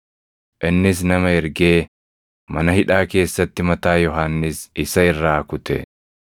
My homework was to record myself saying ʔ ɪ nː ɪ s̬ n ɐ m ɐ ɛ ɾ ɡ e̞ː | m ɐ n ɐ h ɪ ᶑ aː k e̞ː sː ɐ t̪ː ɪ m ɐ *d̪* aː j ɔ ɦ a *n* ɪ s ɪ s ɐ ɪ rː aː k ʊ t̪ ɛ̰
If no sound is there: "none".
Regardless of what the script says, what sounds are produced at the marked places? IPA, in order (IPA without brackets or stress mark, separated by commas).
t̪, nː